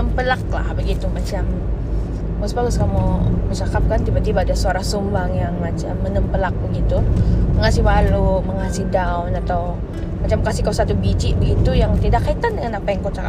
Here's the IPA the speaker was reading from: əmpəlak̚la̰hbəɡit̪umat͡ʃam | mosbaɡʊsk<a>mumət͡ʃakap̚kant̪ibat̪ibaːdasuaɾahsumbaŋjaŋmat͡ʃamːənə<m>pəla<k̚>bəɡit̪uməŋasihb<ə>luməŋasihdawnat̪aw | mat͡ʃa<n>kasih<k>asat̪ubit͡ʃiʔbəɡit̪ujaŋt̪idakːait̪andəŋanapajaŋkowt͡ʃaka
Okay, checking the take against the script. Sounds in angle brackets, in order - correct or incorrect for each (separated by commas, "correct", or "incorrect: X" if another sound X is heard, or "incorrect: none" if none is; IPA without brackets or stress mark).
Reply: correct, correct, correct, incorrect: a, incorrect: m, correct